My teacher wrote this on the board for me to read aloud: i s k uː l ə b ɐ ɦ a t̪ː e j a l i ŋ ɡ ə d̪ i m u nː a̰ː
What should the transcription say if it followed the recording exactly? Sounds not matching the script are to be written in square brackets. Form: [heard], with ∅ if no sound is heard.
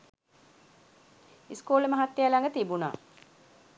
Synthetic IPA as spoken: i s k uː l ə [m] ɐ ɦ a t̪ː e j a l [a] ŋ ɡ ə [t̪] i [b] u [n] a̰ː